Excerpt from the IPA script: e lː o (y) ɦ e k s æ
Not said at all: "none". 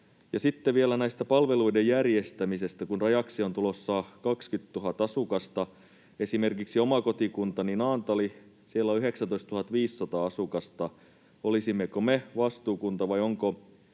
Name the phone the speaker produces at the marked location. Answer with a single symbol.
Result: y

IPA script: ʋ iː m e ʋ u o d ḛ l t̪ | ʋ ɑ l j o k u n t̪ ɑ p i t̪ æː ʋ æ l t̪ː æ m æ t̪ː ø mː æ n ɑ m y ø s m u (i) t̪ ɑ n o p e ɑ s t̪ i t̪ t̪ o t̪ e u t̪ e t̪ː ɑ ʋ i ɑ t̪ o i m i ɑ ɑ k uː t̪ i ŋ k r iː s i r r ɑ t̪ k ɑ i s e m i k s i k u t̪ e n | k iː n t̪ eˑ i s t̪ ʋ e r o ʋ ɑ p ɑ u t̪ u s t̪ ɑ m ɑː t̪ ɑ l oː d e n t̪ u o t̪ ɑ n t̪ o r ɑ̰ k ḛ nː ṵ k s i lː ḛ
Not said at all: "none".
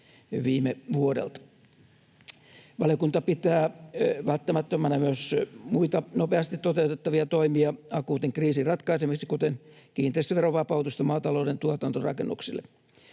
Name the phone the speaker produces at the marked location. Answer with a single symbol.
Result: i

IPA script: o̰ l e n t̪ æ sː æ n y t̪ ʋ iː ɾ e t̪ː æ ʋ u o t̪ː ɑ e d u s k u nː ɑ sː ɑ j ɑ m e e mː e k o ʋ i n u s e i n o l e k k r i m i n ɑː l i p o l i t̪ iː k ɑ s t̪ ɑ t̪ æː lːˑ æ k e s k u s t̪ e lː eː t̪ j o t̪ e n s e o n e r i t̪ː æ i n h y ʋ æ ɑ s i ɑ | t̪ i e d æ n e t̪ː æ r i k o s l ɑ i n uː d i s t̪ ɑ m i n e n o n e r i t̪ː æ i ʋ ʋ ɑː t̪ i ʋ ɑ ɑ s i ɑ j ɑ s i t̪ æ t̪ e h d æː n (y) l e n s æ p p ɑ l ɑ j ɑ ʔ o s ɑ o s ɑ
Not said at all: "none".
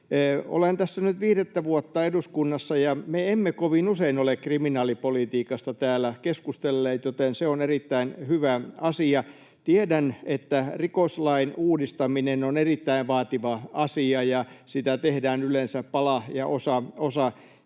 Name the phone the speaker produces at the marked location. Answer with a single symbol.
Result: y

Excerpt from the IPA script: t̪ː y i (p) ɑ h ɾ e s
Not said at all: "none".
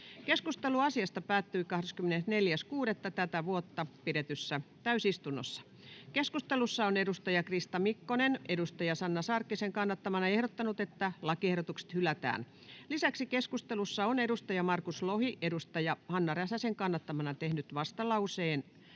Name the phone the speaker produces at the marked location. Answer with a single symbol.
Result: k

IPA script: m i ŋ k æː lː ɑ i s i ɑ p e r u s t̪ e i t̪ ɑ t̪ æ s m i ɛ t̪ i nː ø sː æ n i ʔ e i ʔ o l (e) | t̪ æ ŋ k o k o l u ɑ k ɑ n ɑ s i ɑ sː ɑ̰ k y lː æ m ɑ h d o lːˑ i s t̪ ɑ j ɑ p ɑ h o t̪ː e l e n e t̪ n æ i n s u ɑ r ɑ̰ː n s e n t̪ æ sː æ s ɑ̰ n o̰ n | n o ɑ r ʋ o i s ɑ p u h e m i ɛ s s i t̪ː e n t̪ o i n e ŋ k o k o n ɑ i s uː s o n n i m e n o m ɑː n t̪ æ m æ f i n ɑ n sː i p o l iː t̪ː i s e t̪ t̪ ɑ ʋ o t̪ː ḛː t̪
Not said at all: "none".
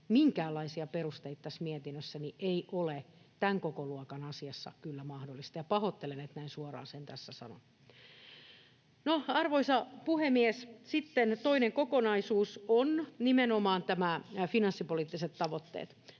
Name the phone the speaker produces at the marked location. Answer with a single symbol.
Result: e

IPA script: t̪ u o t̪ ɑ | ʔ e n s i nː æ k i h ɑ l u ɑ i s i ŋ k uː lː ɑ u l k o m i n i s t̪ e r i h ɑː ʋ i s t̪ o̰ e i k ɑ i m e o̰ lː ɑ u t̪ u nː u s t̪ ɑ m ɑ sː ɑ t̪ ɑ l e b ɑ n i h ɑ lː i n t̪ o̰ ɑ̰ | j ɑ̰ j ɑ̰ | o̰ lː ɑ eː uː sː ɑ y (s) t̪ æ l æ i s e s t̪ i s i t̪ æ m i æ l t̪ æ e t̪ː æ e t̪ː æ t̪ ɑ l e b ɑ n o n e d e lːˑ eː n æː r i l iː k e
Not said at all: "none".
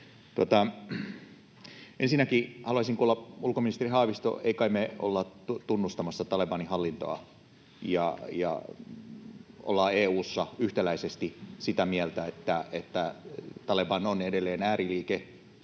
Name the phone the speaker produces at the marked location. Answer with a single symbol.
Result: h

